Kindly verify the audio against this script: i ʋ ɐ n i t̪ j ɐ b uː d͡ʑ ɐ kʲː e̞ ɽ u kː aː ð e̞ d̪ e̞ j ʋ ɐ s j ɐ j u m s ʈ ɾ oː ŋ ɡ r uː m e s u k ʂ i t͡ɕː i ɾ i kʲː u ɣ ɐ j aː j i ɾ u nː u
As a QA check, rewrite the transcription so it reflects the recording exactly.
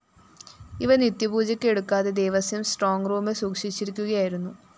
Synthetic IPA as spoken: i ʋ ɐ n i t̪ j ɐ b uː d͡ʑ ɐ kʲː e̞ ɽ u kː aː ð e̞ d̪ e̞ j ʋ ɐ s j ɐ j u m s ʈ r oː ŋ ɡ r uː m e s uː k ʂ i t͡ɕː i ɾ i kʲː u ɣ ɐ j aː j i ɾ u nː u